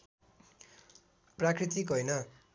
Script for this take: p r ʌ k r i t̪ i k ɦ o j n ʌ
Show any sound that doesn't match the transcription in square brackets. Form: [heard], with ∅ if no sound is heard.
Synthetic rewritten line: p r [a] k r i t̪ i k ɦ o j n ʌ